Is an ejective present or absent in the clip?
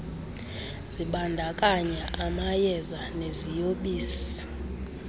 present